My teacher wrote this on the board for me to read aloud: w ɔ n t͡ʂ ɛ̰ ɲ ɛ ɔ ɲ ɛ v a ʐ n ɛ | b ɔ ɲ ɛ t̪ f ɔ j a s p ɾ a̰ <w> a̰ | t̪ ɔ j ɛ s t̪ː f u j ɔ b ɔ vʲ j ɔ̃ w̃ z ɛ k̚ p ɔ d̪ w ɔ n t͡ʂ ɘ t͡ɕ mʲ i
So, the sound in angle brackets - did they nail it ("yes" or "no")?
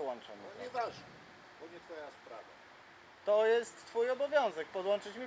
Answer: no